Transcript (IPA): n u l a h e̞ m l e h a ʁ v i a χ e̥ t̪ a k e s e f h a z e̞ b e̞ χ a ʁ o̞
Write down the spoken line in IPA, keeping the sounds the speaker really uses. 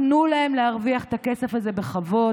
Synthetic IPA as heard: n u l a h e̞ m l e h a ʁ v i a χ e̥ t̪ a k e s e f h a z e̞ b e̞ χ a v o̞